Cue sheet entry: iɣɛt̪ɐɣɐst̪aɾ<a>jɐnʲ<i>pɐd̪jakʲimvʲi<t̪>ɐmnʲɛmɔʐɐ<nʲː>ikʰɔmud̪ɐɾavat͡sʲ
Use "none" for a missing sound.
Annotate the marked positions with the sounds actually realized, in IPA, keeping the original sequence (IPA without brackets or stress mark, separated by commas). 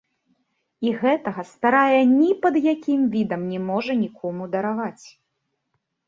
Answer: a, i, d̪, nʲ